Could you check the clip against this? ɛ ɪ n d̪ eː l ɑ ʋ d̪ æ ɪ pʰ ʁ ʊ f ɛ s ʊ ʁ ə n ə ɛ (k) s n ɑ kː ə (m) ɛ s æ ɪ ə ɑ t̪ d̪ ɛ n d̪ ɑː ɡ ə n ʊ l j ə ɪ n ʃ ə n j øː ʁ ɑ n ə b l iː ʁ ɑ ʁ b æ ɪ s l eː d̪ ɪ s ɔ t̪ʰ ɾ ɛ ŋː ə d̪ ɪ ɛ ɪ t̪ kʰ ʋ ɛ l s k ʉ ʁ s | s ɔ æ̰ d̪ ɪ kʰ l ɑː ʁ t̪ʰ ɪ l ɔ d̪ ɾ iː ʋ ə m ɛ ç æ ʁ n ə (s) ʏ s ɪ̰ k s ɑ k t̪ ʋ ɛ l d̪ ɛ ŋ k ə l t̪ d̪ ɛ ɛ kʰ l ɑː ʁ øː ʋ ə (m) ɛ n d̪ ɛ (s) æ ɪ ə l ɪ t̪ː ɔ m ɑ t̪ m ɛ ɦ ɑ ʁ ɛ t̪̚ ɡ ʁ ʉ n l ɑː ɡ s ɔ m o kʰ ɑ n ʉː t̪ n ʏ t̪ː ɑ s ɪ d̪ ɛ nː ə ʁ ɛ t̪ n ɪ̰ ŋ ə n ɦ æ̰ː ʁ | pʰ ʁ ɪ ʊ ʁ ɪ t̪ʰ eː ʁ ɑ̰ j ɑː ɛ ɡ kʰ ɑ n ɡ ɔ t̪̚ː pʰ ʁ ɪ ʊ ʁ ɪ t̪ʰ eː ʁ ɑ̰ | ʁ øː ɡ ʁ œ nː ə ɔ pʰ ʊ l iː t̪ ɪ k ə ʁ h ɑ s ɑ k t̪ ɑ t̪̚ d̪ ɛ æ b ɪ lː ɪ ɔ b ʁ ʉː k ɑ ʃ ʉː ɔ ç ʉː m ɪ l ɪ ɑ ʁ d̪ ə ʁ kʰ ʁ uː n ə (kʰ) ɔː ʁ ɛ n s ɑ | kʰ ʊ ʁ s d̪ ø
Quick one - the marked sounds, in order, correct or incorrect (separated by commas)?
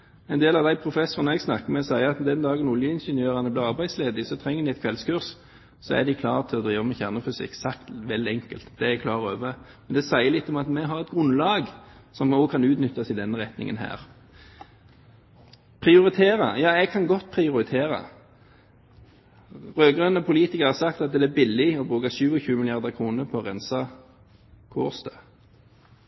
incorrect, correct, incorrect, correct, correct, incorrect